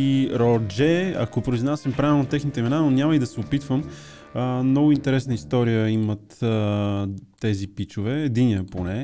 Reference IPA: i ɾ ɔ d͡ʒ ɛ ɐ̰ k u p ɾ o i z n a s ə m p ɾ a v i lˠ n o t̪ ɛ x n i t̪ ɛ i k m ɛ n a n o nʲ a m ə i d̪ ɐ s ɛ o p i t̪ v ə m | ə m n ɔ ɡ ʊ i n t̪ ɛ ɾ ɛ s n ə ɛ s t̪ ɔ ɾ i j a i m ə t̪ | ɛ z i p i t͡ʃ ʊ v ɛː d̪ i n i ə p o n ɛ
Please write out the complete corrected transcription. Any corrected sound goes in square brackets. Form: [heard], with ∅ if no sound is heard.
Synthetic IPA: i ɾ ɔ d͡ʒ ɛ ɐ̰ k [o] p ɾ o i z n a s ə m p ɾ a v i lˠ n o t̪ ɛ x n i t̪ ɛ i [∅] m ɛ n a n o nʲ a m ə i d̪ ɐ s ɛ o p i t̪ v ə m | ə m n ɔ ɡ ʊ i n t̪ ɛ ɾ ɛ s n ə [i] s t̪ ɔ ɾ i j [ə] i m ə t̪ | ɛ z i p i t͡ʃ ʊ v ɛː d̪ i n i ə p o n ɛ